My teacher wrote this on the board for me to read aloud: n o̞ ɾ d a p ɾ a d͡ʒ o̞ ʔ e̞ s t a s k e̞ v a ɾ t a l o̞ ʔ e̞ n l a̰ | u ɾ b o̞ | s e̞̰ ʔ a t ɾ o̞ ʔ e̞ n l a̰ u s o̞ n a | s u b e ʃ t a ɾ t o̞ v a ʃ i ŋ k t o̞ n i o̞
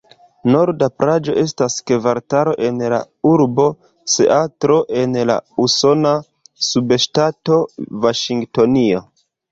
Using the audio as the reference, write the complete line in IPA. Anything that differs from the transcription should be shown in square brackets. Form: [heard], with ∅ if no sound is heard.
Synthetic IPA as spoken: n o̞ ɾ d a p ɾ a d͡ʒ o̞ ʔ e̞ s t a s k e̞ v a ɾ t a [ɾ] o̞ ʔ e̞ n l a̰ | u ɾ b o̞ | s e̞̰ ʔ a t ɾ o̞ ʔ e̞ n l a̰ u s o̞ n a | s u b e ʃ t a [∅] t o̞ v a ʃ i ŋ [ɡ] t o̞ n i o̞